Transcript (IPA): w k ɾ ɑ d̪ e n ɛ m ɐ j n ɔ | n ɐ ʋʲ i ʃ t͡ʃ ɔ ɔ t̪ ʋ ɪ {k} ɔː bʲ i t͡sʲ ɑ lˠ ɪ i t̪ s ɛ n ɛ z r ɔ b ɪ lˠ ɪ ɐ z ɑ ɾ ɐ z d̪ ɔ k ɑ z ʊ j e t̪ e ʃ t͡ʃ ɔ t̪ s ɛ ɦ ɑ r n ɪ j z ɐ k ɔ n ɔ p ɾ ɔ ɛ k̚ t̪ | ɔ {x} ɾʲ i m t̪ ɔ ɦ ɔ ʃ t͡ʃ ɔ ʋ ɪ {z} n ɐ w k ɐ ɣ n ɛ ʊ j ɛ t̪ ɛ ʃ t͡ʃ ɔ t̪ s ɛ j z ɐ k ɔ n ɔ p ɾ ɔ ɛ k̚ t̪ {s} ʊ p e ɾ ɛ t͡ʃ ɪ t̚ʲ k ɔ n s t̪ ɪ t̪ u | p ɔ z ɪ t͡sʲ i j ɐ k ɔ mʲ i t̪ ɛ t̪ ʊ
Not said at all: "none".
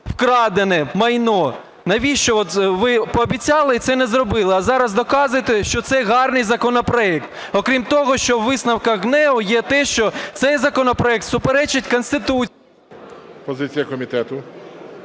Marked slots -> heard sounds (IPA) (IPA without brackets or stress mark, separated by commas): p, k, s, s